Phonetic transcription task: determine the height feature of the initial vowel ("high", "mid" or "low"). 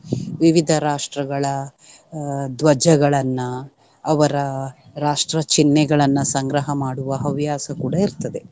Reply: high